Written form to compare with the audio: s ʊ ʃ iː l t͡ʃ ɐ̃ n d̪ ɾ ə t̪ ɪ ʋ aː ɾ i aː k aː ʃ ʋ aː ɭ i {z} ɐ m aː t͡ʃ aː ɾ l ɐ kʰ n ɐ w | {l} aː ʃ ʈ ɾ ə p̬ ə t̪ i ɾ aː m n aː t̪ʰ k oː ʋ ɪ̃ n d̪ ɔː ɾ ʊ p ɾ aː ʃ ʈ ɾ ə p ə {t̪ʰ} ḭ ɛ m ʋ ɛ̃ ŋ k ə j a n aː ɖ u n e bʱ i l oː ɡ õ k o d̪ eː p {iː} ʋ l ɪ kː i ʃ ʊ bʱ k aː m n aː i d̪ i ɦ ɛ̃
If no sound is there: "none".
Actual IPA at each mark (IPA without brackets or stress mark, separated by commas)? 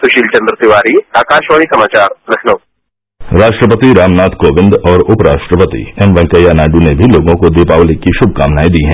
s, ɾ, t̪, aː